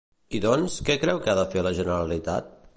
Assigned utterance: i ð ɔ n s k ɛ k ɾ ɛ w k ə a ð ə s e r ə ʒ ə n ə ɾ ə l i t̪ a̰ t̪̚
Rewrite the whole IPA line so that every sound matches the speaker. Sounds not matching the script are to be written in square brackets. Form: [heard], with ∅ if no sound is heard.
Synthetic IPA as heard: i ð ɔ n s k ɛ k ɾ ɛ w k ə a ð ə [f] e [l] ə ʒ ə n ə ɾ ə l i t̪ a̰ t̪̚